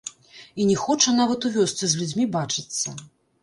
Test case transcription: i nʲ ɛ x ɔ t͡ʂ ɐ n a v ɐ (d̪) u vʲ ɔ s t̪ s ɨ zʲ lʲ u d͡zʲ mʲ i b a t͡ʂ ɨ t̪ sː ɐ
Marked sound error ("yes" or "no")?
yes